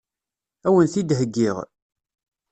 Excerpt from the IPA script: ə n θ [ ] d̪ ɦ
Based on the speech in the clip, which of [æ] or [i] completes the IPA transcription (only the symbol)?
i